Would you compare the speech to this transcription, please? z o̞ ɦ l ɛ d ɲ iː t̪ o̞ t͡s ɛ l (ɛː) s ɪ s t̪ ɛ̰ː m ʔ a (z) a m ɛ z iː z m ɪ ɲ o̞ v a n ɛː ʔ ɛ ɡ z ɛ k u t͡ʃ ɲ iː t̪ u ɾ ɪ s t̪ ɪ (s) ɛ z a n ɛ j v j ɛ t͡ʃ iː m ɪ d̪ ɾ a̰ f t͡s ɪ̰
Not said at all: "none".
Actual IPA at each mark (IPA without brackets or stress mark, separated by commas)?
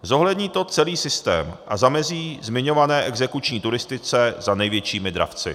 iː, z, t͡s